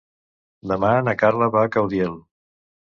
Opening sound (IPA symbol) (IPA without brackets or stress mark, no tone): d̪